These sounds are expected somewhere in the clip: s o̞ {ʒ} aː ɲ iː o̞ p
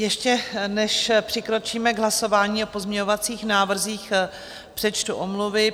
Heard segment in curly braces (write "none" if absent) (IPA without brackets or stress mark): v